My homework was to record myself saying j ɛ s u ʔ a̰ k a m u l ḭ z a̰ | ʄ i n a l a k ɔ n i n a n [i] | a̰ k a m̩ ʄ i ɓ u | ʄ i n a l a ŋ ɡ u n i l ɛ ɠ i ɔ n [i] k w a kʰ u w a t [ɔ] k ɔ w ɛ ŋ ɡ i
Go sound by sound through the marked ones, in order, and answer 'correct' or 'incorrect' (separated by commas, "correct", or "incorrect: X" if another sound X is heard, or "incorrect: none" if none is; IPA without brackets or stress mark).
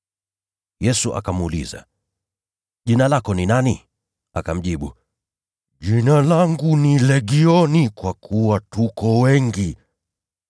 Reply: correct, correct, incorrect: u